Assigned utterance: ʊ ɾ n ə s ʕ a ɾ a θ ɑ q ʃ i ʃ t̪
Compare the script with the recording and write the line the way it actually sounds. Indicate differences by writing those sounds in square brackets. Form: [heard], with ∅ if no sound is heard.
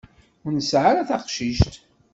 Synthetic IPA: ʊ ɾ n ə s ʕ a ɾ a θ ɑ q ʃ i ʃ t̪